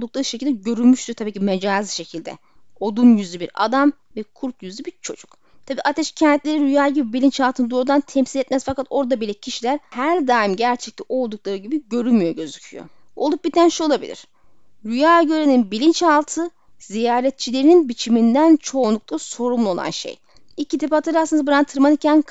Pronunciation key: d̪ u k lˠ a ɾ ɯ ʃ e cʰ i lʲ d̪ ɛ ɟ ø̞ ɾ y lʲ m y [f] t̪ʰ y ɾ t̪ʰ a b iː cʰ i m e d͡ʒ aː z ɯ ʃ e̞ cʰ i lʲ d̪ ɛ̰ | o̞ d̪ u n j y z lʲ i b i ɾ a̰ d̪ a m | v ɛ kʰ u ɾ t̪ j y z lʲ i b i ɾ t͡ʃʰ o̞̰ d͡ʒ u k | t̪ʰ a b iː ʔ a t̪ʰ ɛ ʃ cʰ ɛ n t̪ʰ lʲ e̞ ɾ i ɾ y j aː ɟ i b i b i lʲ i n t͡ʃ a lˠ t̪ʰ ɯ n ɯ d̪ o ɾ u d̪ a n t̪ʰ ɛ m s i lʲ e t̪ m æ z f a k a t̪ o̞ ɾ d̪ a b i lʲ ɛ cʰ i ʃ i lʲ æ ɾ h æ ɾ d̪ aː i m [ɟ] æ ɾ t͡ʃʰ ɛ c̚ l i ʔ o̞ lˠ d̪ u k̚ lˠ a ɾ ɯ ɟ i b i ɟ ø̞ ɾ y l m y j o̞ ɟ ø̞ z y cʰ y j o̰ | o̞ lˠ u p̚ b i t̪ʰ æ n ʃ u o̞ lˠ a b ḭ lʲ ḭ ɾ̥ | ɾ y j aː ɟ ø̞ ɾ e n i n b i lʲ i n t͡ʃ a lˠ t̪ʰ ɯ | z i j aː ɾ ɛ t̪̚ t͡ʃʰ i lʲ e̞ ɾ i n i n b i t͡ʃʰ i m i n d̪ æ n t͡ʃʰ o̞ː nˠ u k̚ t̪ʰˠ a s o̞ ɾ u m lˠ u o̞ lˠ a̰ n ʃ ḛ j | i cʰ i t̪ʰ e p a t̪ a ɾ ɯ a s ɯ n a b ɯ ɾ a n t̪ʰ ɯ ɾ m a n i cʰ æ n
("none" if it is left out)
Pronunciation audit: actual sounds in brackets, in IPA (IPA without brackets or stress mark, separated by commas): ʃ, ɟ